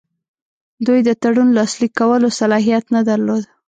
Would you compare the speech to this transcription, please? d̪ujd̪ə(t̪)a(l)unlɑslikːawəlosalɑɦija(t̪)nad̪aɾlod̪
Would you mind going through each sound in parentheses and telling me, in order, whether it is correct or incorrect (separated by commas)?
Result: correct, incorrect, correct